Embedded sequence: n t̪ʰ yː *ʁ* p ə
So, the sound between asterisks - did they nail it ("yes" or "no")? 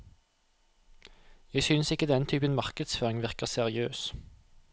no